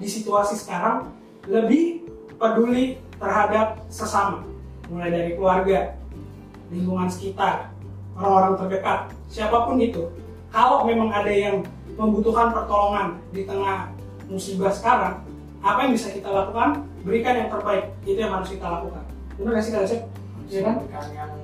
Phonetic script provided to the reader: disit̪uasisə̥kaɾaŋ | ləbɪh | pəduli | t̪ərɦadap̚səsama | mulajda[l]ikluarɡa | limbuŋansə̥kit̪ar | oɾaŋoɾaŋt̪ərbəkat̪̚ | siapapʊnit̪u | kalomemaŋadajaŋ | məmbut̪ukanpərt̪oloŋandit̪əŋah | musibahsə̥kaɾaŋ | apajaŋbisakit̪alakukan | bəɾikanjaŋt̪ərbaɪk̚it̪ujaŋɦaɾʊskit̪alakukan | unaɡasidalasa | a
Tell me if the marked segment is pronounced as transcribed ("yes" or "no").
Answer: no